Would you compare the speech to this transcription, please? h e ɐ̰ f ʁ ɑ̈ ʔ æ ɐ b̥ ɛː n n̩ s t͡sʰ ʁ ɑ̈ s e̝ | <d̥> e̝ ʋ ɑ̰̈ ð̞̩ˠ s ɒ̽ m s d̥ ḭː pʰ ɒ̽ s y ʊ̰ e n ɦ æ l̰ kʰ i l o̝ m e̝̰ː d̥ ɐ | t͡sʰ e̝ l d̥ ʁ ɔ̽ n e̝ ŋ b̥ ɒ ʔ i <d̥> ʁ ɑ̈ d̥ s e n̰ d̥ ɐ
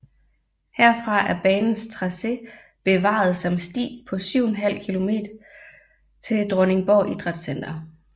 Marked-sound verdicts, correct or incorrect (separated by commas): incorrect, correct